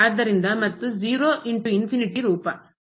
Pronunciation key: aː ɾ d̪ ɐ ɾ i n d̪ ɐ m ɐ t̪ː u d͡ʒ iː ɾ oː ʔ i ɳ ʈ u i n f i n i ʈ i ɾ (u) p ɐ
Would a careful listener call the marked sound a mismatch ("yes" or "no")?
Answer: yes